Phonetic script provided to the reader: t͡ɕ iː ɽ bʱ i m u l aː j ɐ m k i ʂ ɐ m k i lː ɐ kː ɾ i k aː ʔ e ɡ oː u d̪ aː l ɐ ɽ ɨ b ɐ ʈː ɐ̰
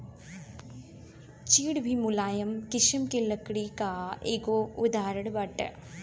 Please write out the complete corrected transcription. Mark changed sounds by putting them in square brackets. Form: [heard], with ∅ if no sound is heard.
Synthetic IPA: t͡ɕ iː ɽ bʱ i m u l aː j ɐ m k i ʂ ɐ m k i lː ɐ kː [ɽ] i k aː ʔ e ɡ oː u d̪ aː [ɾ] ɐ ɽ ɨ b ɐ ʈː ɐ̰